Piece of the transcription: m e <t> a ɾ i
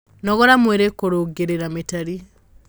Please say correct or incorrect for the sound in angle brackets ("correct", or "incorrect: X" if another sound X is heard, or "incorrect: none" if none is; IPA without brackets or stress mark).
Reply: correct